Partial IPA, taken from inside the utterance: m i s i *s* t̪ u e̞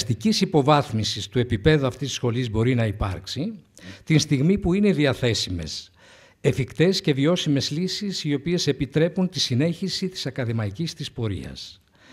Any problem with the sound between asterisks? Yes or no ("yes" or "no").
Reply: no